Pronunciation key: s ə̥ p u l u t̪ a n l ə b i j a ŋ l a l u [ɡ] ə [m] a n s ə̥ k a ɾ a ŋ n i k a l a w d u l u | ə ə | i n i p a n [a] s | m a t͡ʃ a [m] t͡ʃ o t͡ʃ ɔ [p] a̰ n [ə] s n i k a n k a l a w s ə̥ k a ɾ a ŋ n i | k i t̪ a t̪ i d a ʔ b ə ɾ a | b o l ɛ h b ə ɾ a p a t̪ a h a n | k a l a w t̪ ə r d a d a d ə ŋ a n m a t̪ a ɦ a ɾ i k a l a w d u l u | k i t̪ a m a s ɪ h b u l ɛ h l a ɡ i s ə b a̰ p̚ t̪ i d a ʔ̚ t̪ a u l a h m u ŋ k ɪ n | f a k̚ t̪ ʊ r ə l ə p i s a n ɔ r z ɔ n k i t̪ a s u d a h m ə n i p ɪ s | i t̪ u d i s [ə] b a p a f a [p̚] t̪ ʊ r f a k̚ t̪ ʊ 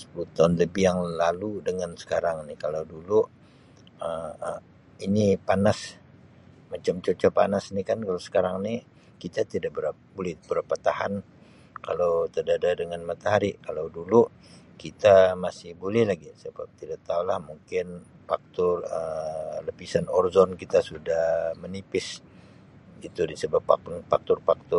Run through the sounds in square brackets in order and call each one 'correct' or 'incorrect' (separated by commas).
incorrect, incorrect, correct, correct, correct, incorrect, correct, incorrect